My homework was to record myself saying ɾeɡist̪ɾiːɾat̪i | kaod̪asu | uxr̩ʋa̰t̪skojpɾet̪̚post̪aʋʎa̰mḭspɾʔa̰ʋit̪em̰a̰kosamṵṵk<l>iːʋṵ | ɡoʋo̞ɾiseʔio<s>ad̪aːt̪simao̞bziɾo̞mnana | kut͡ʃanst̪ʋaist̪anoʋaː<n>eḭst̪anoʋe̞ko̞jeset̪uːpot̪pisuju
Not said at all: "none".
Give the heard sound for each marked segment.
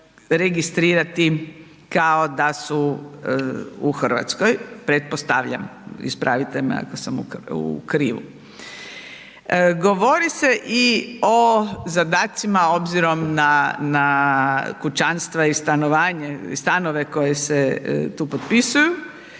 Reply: ɾ, z, ɲ

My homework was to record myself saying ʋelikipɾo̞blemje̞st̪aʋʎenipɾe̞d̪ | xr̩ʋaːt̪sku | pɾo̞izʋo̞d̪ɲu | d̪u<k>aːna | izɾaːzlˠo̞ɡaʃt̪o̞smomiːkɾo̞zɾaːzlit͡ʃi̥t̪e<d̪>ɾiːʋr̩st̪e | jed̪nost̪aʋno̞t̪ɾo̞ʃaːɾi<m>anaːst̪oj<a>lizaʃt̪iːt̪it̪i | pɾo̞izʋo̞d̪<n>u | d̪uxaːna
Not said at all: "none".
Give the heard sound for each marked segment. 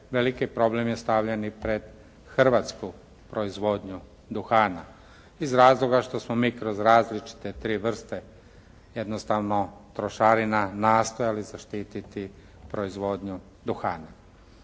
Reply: x, t̪, n, a, ɲ

